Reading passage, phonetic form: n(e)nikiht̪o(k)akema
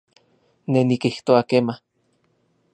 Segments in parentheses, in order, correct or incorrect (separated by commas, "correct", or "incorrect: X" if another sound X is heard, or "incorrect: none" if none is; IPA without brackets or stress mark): correct, incorrect: none